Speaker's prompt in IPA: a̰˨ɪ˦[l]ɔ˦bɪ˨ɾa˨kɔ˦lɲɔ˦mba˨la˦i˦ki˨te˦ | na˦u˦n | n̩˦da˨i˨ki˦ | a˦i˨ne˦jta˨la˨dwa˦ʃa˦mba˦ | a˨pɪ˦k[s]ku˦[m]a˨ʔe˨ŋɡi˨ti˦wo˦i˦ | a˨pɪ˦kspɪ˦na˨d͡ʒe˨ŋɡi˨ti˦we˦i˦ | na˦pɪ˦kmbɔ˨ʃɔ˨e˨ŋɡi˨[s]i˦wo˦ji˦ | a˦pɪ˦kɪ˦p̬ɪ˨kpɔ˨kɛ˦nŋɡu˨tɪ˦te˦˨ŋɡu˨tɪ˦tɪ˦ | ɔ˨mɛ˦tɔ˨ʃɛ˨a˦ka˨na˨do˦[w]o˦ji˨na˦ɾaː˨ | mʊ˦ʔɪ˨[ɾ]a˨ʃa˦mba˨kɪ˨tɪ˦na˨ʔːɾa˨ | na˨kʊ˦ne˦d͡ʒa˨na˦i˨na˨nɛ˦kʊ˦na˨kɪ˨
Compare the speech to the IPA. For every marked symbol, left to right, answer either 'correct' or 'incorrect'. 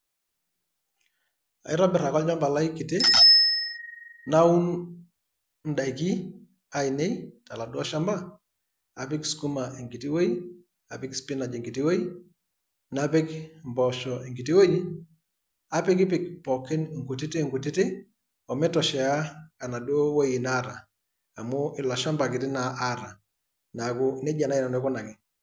incorrect, correct, correct, incorrect, correct, incorrect

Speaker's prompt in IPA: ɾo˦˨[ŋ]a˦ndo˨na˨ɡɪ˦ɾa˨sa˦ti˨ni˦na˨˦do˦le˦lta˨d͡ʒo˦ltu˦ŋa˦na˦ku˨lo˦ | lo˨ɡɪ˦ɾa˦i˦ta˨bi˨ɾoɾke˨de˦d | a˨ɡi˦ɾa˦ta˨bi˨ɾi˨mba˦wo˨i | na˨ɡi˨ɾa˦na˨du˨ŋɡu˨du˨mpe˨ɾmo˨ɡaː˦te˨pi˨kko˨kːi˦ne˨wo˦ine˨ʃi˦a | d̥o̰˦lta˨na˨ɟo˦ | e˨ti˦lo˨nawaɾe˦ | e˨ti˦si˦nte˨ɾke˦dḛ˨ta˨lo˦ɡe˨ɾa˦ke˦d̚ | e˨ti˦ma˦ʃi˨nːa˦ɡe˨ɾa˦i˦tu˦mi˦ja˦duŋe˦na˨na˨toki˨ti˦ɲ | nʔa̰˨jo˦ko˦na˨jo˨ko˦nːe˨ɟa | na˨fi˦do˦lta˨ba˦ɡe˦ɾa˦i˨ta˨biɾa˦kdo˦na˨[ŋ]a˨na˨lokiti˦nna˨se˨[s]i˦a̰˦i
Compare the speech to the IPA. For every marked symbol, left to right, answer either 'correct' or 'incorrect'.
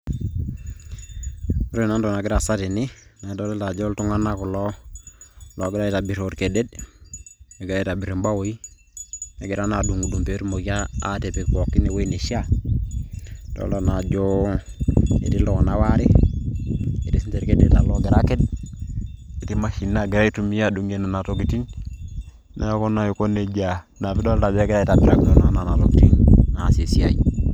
incorrect, incorrect, correct

